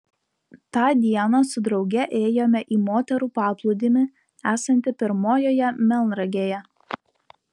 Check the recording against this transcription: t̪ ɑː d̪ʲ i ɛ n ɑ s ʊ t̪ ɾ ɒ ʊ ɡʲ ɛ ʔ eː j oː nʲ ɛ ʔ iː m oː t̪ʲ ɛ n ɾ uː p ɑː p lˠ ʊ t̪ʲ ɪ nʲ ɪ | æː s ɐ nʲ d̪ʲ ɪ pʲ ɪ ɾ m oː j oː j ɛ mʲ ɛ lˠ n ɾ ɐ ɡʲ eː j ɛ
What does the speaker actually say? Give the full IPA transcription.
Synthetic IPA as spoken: t̪ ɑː d̪ʲ i ɛ n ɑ s ʊ d̪ ɾ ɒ ʊ ɡʲ ɛ ʔ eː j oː mʲ ɛ ʔ iː m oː t̪ʲ ɛ ɾ uː p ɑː p lˠ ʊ d̪ʲ ɪ mʲ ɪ | æː s ɐ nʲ t̪ʲ ɪ pʲ ɪ ɾ m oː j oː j ɛ mʲ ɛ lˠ n ɾ ɐ ɡʲ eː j ɛ